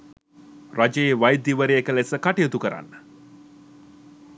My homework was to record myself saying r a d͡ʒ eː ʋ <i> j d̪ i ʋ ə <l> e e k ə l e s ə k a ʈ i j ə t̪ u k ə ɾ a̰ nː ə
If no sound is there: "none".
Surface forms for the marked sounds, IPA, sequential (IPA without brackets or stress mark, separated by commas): a, ɾ